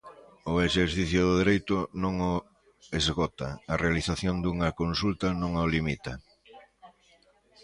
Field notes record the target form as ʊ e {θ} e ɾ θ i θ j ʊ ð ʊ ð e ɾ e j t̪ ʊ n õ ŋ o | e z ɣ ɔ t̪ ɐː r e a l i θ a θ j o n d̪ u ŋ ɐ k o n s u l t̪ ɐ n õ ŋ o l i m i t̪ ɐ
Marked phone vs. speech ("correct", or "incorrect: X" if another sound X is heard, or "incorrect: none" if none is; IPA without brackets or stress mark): incorrect: ʃ